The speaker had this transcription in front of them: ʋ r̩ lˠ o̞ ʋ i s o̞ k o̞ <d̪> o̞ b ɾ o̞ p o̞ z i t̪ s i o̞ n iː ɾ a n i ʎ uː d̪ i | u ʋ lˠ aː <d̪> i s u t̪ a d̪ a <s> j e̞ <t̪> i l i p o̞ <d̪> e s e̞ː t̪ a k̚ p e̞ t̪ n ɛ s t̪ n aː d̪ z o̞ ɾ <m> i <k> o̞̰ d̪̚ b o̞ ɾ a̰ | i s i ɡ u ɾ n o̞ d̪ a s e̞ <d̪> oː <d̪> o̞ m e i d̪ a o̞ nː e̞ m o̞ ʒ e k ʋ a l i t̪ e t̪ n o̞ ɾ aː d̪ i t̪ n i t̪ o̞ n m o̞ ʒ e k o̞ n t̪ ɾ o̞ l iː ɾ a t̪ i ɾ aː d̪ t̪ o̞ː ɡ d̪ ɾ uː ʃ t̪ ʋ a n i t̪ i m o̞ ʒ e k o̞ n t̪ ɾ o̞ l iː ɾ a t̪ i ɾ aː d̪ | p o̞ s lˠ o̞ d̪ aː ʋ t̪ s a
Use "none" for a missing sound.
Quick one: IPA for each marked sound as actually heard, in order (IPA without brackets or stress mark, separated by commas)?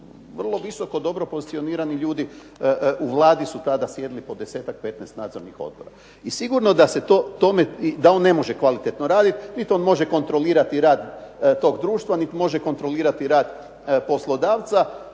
d̪, d̪, s, d̪, d̪, n, x, t̪, t̪